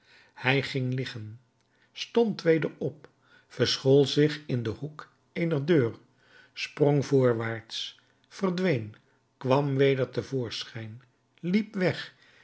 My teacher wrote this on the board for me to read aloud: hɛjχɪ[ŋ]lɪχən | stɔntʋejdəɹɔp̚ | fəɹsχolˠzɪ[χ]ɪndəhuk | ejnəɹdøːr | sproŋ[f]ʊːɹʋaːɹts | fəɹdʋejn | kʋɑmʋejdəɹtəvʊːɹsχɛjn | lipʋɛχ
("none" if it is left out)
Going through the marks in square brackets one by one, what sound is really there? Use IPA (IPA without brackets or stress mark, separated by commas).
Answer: ŋ, χ, v